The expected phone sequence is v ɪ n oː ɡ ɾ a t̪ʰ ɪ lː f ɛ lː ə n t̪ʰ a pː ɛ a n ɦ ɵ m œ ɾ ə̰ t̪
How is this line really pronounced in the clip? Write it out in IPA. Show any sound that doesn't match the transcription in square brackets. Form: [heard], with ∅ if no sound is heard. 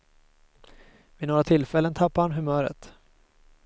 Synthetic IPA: v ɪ n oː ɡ ɾ a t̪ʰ ɪ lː f ɛ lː ə n t̪ʰ a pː [a] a n ɦ ɵ m [œː] ɾ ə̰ t̪